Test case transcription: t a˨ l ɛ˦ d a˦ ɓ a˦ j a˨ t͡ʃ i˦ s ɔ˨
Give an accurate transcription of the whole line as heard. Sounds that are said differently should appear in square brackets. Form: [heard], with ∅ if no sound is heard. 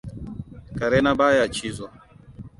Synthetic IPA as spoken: [k] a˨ [ɾ] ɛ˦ [n] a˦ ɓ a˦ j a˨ t͡ʃ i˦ [z] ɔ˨